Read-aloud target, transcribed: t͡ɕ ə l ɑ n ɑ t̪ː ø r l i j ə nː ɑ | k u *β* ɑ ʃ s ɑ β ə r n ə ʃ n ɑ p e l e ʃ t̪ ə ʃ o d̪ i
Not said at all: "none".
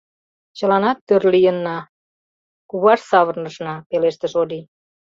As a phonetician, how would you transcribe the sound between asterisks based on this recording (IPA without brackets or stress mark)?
β